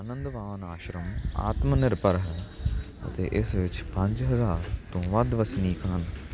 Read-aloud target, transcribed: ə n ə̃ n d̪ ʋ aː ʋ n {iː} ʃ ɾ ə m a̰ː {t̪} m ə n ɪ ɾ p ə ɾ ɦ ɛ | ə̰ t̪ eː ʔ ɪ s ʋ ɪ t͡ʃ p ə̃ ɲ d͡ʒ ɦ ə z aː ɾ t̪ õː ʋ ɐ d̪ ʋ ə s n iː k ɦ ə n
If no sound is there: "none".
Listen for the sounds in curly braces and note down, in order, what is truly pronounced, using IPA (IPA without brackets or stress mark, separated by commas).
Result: aː, t̪